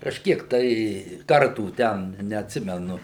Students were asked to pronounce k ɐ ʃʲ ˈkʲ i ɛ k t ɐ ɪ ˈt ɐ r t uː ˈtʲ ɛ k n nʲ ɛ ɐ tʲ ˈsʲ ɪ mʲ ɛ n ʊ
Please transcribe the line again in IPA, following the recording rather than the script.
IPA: k ɐ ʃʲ ˈkʲ i ɛ k t ɐ ɪ ˈk ɐ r t uː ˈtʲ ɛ n nʲ ɛ ɐ tʲ ˈsʲ ɪ mʲ ɛ n ʊ

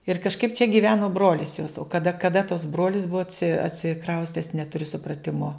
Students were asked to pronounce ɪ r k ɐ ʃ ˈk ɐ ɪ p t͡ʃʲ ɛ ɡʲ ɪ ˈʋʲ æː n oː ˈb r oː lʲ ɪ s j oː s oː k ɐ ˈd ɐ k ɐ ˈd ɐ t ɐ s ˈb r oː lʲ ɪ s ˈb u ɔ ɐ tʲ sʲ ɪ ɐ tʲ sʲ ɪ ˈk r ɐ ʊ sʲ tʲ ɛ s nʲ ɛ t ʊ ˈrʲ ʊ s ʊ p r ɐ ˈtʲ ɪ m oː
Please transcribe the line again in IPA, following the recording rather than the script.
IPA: ɪ r k ɐ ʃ ˈk ɐ ɪ p t͡ʃʲ ɛ ɡʲ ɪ ˈʋʲ æː n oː ˈb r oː lʲ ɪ s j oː s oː k ɐ ˈd ɐ k ɐ ˈd ɐ t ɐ s ˈb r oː lʲ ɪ s ˈb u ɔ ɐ tʲ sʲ ɪ ɐ tʲ sʲ ɪ ˈk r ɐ ʊ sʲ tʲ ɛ s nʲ ɛ t ʊ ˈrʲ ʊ s ʊ p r ɐ ˈtʲ ɪ m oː

